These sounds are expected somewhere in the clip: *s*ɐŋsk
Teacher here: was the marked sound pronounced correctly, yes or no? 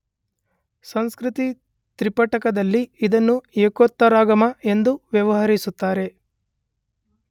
yes